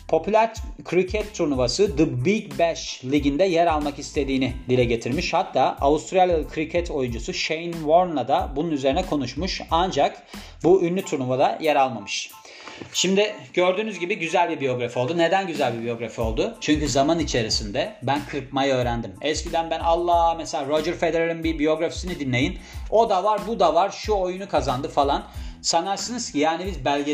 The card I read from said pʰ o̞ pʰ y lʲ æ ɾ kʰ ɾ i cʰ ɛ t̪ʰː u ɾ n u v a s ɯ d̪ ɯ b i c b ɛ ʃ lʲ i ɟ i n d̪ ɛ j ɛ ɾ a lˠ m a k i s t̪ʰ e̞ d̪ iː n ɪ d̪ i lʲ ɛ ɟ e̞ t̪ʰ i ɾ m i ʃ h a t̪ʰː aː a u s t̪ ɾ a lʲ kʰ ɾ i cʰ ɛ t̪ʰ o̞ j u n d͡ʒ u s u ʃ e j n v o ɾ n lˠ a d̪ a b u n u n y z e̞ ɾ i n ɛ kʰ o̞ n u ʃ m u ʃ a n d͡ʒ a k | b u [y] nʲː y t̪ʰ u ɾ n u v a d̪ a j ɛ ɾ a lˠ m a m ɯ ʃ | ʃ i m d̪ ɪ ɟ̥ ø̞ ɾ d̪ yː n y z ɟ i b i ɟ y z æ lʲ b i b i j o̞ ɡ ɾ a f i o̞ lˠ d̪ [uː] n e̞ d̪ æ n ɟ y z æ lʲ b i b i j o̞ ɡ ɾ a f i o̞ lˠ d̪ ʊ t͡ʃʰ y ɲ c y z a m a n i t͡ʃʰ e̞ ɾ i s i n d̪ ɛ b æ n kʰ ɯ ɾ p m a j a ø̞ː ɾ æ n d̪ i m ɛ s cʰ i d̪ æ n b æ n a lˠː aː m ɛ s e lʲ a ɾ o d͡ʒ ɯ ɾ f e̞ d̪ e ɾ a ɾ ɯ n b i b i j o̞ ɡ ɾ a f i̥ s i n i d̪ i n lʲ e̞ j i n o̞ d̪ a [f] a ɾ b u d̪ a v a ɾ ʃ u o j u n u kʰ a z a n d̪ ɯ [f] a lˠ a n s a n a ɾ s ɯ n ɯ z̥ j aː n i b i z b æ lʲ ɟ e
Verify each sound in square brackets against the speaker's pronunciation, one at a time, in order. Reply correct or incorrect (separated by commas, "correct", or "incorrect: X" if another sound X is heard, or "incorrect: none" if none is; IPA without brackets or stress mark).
correct, incorrect: u, incorrect: v, correct